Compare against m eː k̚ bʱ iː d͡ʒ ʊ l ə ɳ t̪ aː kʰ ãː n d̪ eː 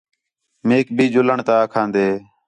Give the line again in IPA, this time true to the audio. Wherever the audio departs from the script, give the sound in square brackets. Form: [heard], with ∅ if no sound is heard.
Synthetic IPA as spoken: m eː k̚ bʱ iː d͡ʒ ʊ l ə ɳ t̪ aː kʰ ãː n d̪ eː